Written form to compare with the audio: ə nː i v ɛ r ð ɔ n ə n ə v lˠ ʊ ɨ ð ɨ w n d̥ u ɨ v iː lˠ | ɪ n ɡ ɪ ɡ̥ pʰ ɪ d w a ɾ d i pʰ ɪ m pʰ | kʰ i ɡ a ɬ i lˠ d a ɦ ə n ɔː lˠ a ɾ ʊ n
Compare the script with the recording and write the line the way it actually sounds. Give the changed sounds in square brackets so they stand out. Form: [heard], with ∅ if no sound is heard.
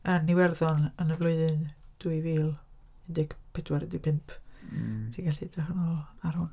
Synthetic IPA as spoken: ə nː i [w] ɛ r ð ɔ n ə n ə v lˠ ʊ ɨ ð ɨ [∅] n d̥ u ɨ v iː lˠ | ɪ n [d] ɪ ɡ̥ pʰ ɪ d w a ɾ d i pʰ ɪ m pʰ | [tʰ] i ɡ a ɬ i [∅] d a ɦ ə n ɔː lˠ a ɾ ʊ n